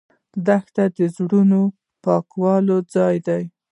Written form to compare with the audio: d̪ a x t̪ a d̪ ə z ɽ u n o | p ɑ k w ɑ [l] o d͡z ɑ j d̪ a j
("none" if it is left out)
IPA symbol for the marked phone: l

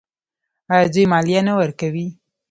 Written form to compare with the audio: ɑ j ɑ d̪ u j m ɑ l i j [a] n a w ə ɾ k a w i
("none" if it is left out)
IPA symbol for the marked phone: a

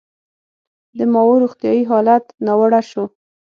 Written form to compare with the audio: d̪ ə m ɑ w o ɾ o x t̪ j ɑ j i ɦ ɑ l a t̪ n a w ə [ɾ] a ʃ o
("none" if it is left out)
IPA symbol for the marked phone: ɽ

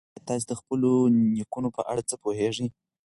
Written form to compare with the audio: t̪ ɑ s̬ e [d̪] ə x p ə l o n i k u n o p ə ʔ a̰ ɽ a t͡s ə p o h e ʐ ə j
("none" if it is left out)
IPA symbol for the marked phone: d̪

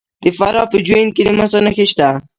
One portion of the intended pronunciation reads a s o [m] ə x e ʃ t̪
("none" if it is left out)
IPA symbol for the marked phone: n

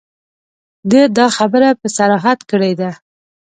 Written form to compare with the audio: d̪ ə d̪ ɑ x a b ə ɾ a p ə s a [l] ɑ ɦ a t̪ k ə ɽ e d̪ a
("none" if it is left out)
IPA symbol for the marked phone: ɾ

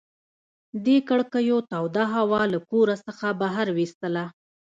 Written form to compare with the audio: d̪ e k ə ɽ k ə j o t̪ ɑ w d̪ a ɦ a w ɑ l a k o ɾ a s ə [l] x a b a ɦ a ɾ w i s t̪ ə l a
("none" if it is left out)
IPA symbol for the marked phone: none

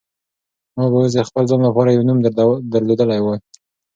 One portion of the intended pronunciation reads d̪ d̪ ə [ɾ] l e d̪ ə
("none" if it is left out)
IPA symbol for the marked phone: ɾ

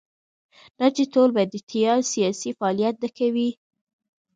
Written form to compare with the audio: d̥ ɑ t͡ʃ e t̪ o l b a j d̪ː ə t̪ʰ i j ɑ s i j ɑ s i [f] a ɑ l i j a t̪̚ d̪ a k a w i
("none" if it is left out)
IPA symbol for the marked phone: f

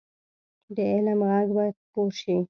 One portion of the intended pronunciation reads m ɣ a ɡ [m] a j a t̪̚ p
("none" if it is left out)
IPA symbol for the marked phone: b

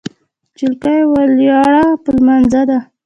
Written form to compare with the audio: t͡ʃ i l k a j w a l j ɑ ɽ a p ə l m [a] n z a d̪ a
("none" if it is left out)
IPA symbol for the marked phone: a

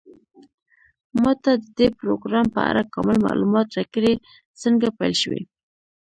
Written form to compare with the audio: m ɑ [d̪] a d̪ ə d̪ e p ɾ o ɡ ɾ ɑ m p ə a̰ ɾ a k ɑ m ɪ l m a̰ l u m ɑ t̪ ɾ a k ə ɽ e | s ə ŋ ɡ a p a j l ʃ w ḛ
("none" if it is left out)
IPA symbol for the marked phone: t̪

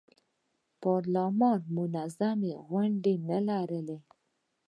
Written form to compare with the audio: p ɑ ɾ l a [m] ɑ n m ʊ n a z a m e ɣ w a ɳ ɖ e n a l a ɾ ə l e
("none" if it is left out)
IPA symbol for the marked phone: m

